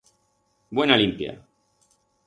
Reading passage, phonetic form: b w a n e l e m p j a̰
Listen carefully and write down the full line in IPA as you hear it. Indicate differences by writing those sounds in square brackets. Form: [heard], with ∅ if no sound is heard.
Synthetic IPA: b w [e] n [a] l [i] m p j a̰